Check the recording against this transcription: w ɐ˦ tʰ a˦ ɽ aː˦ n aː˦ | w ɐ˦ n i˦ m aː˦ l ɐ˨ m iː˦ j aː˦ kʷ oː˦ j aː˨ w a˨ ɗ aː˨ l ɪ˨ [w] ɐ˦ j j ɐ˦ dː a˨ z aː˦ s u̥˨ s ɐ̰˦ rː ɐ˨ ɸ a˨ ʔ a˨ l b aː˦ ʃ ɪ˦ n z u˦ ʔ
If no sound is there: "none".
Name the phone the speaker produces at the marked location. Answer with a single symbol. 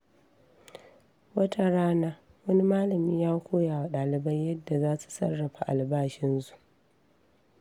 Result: b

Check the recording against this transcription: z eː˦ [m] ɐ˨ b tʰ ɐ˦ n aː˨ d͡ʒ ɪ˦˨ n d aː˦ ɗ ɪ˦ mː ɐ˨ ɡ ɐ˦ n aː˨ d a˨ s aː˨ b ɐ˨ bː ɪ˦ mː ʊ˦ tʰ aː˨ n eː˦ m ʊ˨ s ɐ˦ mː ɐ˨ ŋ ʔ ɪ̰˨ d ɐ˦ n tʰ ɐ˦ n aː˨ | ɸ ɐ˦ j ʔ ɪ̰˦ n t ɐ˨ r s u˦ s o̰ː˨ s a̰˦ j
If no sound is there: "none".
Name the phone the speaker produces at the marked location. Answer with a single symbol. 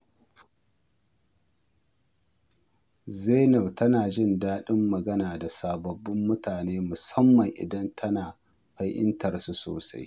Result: n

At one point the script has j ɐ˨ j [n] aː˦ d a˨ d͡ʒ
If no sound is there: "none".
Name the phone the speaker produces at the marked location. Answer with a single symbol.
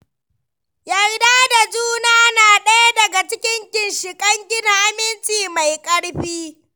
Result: d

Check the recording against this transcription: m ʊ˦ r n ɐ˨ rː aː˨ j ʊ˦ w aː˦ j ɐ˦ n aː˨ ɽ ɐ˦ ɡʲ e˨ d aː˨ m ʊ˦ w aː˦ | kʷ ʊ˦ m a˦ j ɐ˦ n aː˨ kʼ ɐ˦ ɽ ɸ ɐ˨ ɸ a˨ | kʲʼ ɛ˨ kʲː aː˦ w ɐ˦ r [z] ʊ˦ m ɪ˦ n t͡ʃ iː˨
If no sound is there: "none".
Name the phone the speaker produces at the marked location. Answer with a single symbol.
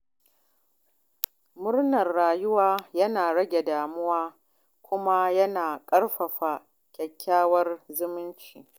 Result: z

